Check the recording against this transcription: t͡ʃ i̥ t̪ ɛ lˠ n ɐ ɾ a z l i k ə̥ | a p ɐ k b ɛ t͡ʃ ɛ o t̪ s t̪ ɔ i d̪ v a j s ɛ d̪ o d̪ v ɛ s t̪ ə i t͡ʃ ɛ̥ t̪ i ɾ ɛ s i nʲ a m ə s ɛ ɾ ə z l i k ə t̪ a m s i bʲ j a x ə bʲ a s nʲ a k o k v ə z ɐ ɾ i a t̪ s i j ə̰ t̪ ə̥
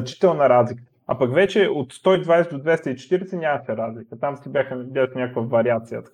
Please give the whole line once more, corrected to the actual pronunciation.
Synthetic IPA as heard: t͡ʃ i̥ t̪ ɛ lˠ n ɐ ɾ a z l i k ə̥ | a p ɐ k v ɛ t͡ʃ ɛ o t̪ s t̪ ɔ i d̪ v a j s ɛ d̪ o d̪ v ɛ s t̪ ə i t͡ʃ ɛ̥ t̪ i ɾ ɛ s ɛ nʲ a m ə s ɛ ɾ a z l i k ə t̪ a m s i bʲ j a x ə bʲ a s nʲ a k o k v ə v ɐ ɾ i a t̪ s i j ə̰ t̪ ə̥